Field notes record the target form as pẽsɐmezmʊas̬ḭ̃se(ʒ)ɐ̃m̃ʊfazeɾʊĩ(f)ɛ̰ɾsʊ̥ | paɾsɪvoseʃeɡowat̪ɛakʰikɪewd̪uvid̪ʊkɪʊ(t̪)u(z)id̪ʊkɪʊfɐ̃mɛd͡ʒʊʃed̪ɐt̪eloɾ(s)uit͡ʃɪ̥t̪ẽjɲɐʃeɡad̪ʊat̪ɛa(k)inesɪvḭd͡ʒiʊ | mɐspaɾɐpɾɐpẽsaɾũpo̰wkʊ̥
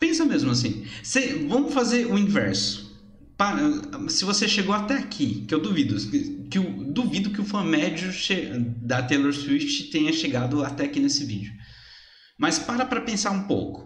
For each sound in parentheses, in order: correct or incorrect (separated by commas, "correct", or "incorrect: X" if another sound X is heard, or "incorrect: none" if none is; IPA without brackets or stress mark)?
incorrect: v, incorrect: v, incorrect: d̪, incorrect: v, correct, correct